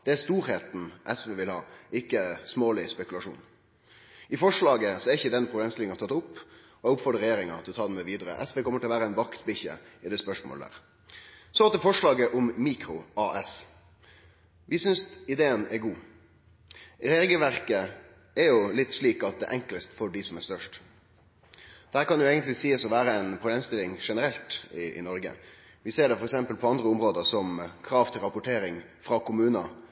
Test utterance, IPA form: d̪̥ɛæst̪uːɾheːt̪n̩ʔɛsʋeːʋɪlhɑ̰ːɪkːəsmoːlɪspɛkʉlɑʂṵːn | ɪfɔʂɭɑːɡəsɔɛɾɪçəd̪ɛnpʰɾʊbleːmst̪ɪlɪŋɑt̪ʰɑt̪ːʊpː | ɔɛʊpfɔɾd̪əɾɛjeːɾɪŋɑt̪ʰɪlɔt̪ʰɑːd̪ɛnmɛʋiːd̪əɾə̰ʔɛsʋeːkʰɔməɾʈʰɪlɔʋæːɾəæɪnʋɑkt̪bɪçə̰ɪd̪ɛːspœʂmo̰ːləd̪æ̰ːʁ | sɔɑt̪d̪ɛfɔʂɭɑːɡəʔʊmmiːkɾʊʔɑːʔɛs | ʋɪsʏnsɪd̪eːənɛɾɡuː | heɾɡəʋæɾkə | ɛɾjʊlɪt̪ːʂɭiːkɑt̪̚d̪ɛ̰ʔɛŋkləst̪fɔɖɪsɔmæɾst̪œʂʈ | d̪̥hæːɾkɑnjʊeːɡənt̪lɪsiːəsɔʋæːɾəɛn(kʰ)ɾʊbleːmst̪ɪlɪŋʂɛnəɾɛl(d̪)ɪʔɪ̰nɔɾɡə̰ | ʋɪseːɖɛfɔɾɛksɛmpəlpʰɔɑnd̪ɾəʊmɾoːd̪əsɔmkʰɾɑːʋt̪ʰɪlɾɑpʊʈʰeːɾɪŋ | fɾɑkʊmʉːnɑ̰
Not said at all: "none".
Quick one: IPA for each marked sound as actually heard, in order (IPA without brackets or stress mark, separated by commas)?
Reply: pʰ, t̪